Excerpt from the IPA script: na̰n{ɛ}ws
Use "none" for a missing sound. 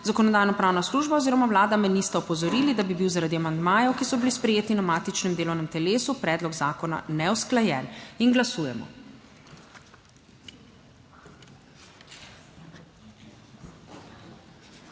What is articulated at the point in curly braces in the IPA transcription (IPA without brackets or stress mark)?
ɛ